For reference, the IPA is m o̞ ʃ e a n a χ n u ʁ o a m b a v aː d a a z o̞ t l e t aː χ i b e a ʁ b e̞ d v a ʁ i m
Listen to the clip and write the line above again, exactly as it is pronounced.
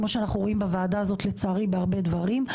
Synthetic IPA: m o̞ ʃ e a n a χ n u ʁ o i m b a v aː d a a z o̞ t l e t͡s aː ʁ i b e a ʁ b e̞ d v a ʁ i m